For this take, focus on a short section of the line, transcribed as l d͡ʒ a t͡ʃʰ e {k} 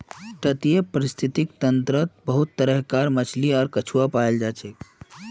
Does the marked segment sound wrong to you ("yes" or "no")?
no